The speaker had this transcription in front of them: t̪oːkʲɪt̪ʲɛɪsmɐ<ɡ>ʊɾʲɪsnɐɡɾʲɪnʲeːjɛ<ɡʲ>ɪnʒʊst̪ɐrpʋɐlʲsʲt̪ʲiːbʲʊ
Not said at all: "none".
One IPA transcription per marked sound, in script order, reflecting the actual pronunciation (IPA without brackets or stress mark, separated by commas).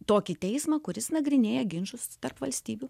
k, ɡʲ